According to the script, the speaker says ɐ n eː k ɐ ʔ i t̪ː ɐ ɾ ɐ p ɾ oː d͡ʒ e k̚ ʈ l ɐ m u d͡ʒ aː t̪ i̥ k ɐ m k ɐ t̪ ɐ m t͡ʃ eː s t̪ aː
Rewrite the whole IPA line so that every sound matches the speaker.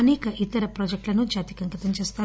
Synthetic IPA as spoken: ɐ n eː k ɐ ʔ i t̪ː ɐ ɾ ɐ p ɾ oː d͡ʒ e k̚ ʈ l ɐ n u d͡ʒ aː t̪ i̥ k ɐ ŋ k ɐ t̪ ɐ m t͡ʃ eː s t̪ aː